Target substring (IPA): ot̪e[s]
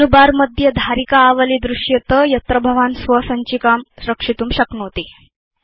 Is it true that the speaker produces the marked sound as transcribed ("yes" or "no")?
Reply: no